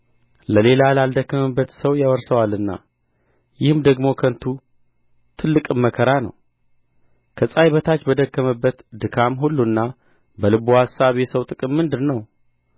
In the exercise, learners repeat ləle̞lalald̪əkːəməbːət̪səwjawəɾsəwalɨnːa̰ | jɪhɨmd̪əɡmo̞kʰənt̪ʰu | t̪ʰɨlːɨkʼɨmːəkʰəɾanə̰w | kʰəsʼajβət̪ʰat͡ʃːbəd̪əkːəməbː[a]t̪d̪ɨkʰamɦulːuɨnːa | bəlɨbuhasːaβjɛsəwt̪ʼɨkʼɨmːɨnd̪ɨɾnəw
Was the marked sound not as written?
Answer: yes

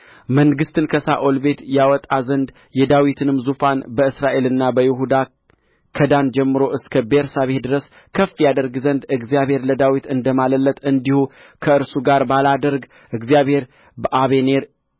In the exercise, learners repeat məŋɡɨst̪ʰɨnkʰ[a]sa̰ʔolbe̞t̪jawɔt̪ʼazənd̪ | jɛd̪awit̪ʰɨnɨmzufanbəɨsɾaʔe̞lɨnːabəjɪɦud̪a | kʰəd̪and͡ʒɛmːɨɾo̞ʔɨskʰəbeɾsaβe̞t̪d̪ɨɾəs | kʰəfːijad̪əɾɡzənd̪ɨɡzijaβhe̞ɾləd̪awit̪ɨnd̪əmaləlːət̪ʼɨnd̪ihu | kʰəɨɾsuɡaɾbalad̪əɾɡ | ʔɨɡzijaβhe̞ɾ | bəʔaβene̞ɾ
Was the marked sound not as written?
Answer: yes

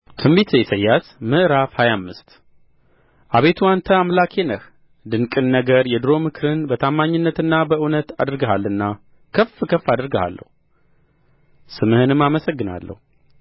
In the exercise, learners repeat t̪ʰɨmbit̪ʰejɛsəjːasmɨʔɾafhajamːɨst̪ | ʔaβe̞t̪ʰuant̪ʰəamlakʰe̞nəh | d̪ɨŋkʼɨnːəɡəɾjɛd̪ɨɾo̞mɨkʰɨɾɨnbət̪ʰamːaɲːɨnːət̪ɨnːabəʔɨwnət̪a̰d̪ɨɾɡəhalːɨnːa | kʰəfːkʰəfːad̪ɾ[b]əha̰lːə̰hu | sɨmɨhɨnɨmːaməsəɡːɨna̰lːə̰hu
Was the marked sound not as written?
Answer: yes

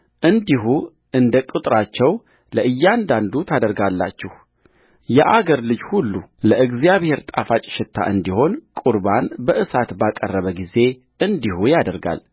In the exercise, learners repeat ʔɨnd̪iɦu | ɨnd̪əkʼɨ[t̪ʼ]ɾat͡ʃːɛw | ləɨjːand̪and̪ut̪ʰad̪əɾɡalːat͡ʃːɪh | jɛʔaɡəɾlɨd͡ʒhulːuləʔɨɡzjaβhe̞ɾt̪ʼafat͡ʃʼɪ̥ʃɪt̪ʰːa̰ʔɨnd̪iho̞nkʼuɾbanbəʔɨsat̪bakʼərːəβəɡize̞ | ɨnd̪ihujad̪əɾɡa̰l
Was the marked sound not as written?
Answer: no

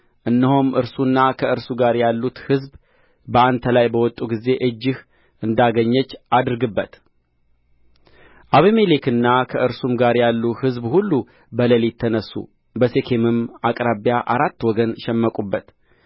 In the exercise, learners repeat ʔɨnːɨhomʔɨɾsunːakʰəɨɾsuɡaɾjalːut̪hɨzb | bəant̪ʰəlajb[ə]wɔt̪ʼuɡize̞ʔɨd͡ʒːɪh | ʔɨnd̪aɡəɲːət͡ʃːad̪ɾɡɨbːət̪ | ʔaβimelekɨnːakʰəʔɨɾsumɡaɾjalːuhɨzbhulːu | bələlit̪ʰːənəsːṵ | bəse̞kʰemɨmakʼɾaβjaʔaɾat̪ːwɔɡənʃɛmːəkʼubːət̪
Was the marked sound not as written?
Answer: no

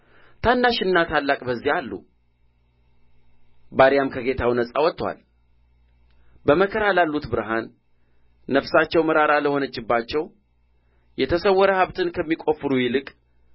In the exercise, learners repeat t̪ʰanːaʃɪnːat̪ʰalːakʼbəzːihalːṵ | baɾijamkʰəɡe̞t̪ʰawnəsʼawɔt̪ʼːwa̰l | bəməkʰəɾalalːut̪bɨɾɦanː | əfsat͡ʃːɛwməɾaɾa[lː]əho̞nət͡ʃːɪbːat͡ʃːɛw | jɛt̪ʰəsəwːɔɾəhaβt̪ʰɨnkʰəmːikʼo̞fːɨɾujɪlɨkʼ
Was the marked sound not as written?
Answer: yes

